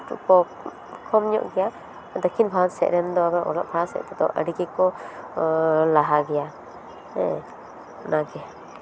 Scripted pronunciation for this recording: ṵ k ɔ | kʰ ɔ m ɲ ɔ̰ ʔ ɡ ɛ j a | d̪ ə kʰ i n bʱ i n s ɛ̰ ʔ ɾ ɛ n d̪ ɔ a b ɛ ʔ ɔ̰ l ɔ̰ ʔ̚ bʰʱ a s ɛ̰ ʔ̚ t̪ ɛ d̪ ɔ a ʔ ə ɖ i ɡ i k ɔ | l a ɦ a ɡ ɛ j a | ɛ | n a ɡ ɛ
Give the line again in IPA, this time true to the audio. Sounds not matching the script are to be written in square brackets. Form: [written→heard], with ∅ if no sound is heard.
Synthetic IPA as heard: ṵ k ɔ | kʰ ɔ m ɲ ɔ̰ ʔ ɡ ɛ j a | d̪ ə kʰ i n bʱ [i→a] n s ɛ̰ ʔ ɾ ɛ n d̪ ɔ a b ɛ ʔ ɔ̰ l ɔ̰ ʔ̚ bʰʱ a s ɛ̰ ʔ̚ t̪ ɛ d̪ ɔ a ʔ ə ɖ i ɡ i k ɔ | l a ɦ a ɡ ɛ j a | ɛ | n a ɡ ɛ

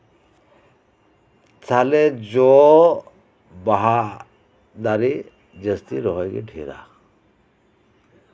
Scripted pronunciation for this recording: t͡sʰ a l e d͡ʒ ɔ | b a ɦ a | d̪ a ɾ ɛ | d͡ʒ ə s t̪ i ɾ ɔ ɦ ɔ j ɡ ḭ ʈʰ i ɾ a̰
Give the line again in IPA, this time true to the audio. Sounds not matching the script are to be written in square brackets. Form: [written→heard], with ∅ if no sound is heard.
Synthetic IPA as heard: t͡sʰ a l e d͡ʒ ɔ | b a ɦ a | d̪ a ɾ [ɛ→i] | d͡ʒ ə s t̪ i ɾ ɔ ɦ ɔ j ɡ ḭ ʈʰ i ɾ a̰

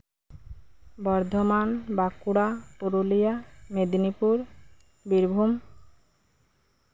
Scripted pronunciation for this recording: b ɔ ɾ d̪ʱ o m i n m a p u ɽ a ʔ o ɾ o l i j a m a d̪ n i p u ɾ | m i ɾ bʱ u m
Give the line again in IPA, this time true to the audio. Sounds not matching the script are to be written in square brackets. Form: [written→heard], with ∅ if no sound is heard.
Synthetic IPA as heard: b ɔ ɾ d̪ʱ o m [i→a] n [m→b] a [p→k] u ɽ a [ʔ→p] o ɾ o l i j a m [a→e] d̪ n i p u ɾ | [m→b] i ɾ bʱ u m

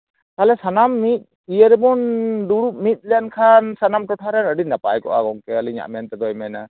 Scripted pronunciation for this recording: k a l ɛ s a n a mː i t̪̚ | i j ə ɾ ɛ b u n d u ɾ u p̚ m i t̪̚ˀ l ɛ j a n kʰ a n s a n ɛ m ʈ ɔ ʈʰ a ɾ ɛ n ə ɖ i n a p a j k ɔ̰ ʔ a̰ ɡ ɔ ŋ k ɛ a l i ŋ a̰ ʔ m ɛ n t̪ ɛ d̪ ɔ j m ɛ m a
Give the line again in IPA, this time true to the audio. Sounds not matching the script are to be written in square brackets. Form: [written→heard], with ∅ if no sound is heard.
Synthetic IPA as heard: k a l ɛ s a n a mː i t̪̚ | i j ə ɾ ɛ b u n d u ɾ u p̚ m i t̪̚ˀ l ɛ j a n kʰ a n s a n [ɛ→a] m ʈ ɔ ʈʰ a ɾ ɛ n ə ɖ i n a p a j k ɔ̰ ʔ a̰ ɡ ɔ ŋ k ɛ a l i [ŋ→ɲ] a̰ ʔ m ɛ n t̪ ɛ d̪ ɔ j m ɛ [m→n] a

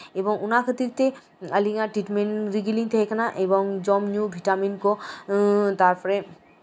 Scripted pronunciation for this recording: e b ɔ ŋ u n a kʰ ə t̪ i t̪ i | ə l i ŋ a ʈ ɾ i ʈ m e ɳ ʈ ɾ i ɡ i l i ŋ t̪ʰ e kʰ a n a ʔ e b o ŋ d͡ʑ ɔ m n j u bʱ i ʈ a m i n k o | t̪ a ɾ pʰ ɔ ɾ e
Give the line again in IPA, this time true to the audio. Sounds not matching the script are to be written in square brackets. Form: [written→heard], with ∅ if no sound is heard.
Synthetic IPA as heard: e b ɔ ŋ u n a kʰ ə t̪ i t̪ [i→e] | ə l i ŋ a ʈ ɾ i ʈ m e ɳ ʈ ɾ i ɡ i l i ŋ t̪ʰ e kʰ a n a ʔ e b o ŋ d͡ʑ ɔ m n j u bʱ i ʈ a m i n k o | t̪ a ɾ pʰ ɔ ɾ e

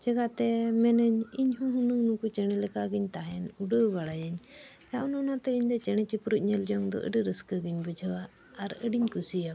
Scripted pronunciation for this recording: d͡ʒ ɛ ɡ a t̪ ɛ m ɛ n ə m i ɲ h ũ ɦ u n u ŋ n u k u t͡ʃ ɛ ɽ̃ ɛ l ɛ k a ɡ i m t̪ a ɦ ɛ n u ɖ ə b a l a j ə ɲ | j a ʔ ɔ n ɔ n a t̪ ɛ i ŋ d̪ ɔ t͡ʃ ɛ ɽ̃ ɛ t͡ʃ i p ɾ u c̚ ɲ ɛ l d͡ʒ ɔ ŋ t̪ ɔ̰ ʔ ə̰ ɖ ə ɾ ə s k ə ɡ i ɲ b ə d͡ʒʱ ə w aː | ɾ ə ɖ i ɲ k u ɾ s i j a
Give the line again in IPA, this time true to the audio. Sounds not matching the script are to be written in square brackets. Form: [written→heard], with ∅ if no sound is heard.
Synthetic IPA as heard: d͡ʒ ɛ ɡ a t̪ ɛ m ɛ n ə [m→ɲ] i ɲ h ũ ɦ u n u ŋ n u k u t͡ʃ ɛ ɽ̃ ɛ l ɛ k a ɡ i [m→ɲ] t̪ a ɦ ɛ n u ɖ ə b a [l→ɽ] a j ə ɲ | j a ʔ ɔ n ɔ n a t̪ ɛ i [ŋ→ɲ] d̪ ɔ t͡ʃ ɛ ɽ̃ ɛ t͡ʃ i p ɾ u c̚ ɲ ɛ l d͡ʒ ɔ ŋ [t̪→d̪] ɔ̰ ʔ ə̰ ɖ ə ɾ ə s k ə ɡ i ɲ b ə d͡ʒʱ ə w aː | ɾ ə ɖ i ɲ k u [ɾ→∅] s i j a

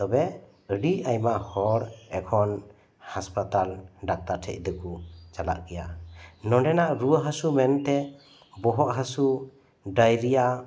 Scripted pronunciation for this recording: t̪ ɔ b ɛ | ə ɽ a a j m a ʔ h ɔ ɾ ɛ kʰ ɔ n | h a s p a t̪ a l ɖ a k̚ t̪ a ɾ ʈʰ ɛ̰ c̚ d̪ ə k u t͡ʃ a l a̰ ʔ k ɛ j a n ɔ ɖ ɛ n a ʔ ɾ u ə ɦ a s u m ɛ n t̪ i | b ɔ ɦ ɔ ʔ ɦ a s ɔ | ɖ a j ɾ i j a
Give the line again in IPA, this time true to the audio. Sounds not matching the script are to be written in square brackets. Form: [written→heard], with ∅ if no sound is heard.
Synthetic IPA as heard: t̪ ɔ b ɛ | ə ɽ [a→i] a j m a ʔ h ɔ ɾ ɛ kʰ ɔ n | h a s p a t̪ a l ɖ a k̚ t̪ a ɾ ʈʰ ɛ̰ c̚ d̪ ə k u t͡ʃ a l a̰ ʔ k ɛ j a n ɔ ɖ ɛ n a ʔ ɾ u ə ɦ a s u m ɛ n t̪ [i→ɛ] | b ɔ ɦ ɔ ʔ ɦ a s [ɔ→u] | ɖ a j ɾ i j a

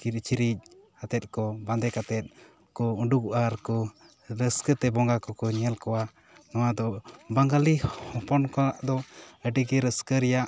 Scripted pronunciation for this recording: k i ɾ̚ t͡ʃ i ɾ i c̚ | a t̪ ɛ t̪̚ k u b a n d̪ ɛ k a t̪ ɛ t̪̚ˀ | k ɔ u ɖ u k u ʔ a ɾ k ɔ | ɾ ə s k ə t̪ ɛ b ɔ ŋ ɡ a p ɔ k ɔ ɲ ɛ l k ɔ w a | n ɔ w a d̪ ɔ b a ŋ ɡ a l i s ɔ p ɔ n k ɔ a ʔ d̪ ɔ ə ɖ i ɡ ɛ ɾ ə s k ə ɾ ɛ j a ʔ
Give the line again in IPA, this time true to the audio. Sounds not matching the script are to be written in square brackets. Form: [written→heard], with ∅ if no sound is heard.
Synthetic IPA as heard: k i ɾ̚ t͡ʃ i ɾ i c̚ | a t̪ ɛ t̪̚ k [u→ɔ] b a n d̪ ɛ k a t̪ ɛ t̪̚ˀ | k ɔ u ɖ u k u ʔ a ɾ k ɔ | ɾ ə s k ə t̪ ɛ b ɔ ŋ ɡ a [p→k] ɔ k ɔ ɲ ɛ l k ɔ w a | n ɔ w a d̪ ɔ b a ŋ ɡ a l i [s→h] ɔ p ɔ n k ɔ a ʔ d̪ ɔ ə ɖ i ɡ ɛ ɾ ə s k ə ɾ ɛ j a ʔ

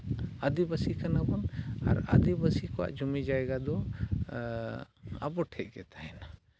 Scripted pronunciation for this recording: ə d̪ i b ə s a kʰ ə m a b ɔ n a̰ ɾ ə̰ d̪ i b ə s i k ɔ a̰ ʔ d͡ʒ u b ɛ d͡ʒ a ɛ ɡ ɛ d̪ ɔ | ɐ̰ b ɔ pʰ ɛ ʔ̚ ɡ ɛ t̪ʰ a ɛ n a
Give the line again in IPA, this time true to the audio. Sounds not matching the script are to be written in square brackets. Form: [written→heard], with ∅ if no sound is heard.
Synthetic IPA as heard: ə d̪ i b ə s [a→i] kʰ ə [m→n] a b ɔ n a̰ ɾ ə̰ d̪ i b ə s i k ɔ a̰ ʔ d͡ʒ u [b→m] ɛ d͡ʒ a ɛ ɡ [ɛ→a] d̪ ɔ | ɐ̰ b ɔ [pʰ→ʈʰ] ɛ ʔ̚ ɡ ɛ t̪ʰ a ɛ n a

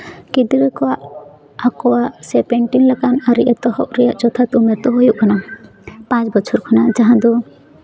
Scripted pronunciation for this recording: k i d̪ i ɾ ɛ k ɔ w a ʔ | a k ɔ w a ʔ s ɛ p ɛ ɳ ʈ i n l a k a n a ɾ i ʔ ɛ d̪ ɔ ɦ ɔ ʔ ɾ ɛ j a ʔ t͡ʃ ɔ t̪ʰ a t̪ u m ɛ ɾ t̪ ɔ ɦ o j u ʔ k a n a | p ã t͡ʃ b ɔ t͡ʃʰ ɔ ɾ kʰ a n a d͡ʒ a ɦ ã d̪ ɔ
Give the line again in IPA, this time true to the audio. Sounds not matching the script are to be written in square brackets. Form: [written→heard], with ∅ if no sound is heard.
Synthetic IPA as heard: k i d̪ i ɾ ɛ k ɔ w a ʔ | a k ɔ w a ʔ s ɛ p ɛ ɳ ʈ i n l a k a n a ɾ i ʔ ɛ [d̪→t̪] ɔ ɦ ɔ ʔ ɾ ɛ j a ʔ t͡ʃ ɔ t̪ʰ a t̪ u m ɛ ɾ t̪ ɔ ɦ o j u ʔ k a n a | p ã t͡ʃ b ɔ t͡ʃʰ ɔ ɾ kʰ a n a d͡ʒ a ɦ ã d̪ ɔ

